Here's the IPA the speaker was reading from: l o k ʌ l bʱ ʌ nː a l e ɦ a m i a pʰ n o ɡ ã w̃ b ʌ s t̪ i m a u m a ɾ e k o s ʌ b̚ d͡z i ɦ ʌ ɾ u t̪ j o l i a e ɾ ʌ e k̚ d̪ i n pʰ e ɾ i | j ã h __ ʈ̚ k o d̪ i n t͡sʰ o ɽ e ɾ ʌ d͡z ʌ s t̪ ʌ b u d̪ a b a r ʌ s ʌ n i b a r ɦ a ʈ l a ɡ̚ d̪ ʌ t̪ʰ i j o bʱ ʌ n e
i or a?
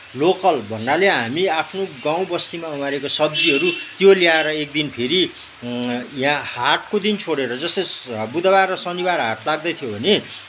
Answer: a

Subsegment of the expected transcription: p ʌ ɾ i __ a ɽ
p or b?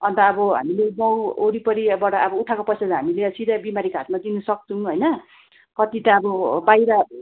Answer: b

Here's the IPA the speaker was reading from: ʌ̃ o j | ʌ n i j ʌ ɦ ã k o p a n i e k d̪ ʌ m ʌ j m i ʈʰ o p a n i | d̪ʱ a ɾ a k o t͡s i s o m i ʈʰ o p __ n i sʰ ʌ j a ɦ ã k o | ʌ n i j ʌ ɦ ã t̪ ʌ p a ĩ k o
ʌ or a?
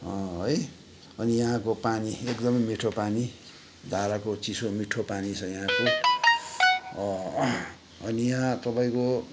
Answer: a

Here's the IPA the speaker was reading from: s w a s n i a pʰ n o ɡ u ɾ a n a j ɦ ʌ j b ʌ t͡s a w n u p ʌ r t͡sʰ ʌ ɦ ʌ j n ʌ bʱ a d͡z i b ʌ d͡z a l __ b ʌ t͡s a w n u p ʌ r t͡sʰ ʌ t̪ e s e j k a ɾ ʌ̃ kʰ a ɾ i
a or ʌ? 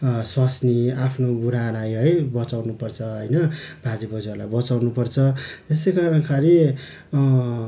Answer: a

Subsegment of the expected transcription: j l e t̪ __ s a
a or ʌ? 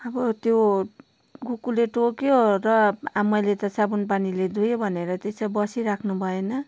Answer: ʌ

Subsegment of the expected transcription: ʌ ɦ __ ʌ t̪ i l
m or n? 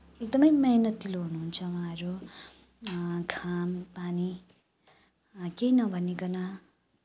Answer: n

